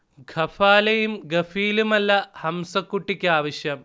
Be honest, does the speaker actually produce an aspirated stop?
no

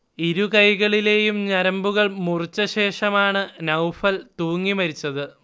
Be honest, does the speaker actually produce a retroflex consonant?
yes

